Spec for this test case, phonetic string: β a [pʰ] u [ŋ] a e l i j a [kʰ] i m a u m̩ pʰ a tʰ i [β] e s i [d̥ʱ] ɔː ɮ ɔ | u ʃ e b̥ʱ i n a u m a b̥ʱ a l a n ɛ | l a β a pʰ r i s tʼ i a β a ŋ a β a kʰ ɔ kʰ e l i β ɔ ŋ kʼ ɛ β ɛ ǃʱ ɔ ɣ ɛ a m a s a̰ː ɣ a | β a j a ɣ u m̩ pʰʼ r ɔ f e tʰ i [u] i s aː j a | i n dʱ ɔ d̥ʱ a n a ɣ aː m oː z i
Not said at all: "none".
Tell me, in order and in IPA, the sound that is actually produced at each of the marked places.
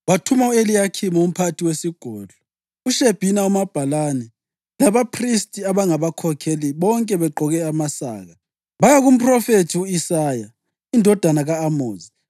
tʰ, m, kʰ, w, ɡ̥ʱ, u

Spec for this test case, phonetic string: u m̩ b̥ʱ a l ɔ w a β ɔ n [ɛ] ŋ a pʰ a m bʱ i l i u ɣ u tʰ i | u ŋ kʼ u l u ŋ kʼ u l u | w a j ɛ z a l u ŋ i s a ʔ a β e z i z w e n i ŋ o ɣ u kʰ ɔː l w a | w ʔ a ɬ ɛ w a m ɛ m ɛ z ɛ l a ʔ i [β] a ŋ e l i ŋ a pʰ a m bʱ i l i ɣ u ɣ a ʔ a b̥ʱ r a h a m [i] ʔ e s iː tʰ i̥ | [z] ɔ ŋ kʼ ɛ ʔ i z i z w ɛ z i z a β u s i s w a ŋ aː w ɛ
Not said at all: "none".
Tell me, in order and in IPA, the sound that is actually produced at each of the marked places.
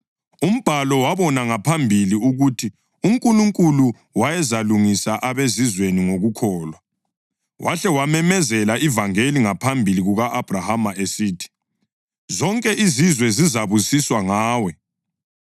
a, v, a, z

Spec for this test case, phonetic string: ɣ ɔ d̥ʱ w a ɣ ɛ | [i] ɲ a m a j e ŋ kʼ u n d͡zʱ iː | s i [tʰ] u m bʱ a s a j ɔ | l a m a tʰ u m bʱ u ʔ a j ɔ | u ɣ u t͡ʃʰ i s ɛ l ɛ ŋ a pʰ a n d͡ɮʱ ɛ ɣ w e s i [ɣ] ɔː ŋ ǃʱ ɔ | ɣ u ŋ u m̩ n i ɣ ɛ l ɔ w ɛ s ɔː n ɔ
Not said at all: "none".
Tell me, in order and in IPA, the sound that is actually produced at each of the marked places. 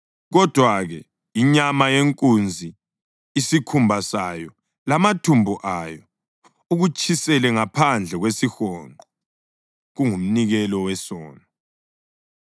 i, kʰ, x

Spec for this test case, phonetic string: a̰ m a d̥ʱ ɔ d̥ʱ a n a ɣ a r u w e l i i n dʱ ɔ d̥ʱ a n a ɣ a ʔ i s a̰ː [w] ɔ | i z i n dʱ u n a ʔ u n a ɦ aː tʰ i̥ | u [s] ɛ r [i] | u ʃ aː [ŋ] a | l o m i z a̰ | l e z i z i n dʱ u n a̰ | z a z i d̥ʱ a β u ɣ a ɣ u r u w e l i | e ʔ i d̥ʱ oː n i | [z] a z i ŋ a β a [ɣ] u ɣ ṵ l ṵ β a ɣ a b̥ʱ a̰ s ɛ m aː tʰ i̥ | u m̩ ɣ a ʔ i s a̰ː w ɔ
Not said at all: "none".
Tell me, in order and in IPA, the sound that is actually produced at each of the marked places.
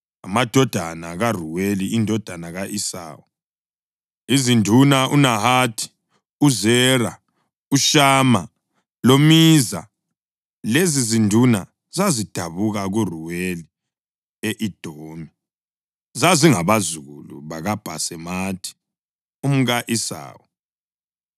w, z, a, m, z, z

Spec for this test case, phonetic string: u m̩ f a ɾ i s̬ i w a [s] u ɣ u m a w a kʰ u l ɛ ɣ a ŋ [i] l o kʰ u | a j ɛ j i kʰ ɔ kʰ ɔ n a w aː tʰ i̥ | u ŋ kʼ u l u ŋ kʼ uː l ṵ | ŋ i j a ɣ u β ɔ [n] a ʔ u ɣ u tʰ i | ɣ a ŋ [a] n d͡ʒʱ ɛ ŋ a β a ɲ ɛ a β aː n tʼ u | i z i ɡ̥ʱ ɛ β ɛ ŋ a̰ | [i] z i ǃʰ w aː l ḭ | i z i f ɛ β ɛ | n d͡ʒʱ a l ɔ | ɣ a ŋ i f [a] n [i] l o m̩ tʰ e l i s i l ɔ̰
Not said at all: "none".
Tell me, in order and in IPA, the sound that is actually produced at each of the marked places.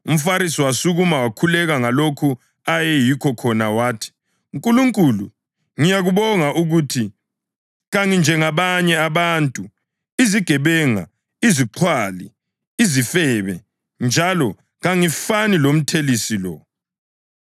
s, a, ŋ, i, i, a, i

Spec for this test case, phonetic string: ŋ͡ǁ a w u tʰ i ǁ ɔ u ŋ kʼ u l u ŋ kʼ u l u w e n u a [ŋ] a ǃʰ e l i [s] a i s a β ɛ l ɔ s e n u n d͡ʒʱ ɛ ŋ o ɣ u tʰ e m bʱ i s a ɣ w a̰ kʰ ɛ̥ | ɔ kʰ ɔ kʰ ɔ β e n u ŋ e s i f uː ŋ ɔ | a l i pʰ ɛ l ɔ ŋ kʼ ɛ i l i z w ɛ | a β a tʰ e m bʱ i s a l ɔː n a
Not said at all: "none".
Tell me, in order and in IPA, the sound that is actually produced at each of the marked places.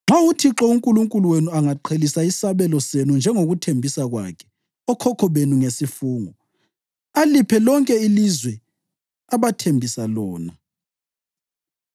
ŋ, s

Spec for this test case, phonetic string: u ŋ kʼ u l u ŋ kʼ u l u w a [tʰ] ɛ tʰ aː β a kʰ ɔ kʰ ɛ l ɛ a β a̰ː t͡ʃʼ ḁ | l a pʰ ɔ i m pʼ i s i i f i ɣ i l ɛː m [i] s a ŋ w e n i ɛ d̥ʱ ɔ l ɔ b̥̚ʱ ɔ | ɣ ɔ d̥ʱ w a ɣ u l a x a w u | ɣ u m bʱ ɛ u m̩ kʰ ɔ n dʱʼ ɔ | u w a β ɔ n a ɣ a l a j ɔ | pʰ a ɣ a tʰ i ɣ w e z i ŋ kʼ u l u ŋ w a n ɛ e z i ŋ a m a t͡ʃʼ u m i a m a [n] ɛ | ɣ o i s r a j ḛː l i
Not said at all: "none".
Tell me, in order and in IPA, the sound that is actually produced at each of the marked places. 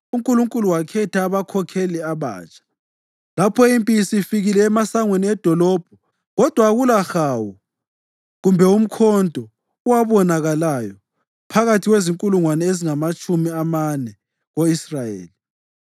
kʰ, a, n

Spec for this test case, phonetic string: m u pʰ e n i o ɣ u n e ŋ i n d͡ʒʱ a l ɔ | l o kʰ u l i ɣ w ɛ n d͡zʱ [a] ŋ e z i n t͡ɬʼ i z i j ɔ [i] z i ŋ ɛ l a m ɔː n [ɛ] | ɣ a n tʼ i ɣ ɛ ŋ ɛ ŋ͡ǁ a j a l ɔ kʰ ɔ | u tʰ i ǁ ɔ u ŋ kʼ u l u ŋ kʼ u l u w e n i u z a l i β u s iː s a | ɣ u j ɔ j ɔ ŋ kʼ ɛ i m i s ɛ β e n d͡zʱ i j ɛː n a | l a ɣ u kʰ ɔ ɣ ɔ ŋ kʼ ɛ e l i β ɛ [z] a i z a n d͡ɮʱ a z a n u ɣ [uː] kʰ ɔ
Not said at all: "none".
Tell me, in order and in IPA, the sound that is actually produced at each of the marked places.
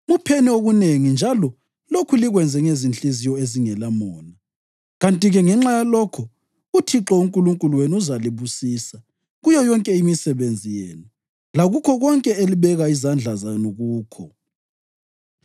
ɛ, e, a, ɣ, uː

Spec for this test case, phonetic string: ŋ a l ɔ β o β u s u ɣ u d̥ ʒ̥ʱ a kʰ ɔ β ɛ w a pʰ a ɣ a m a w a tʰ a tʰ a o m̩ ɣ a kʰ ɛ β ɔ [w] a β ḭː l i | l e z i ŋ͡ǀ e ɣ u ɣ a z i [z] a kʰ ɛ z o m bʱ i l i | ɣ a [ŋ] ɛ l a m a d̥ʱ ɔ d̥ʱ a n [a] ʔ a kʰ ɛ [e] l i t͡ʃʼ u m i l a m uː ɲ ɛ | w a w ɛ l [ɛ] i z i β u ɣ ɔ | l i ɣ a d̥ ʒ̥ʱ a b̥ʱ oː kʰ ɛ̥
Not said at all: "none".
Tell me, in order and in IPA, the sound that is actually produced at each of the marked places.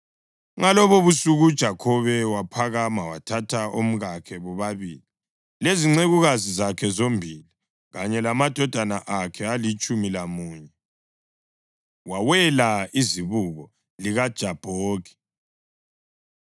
β, z, ɲ, a, a, a

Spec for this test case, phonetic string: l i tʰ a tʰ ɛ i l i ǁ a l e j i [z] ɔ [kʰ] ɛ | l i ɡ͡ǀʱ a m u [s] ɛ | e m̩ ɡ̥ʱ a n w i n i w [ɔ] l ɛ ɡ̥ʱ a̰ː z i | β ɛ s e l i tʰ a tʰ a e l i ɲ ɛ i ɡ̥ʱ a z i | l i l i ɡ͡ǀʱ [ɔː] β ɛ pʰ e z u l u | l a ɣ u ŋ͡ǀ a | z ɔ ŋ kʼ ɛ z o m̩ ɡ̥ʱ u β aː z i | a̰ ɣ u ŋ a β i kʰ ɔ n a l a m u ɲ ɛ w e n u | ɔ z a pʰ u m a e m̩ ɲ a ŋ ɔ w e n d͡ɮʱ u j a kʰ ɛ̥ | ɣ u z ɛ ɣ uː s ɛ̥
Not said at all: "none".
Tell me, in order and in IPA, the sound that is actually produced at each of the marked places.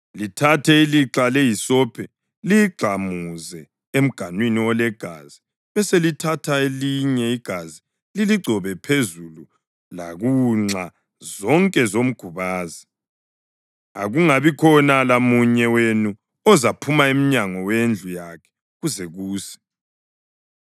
s, pʰ, z, ɔ, ɔ

